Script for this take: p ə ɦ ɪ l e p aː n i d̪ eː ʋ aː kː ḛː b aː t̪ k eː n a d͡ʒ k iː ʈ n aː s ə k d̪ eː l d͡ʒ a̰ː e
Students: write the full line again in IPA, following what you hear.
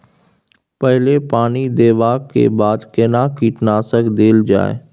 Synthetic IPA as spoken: p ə ɦ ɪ l e p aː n i d̪ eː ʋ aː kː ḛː b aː d̪ k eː n a k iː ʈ n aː s ə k d̪ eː l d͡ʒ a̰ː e